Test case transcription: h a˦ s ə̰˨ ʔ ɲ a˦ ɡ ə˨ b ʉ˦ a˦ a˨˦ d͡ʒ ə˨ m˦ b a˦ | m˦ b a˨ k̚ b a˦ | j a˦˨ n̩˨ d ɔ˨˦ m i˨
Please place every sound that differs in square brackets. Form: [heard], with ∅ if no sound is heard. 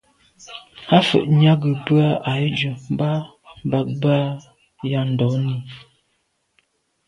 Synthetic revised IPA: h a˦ [f] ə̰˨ ʔ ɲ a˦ ɡ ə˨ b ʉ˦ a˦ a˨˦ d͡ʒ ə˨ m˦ b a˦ | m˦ b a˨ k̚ b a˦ | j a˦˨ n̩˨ d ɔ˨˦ [n] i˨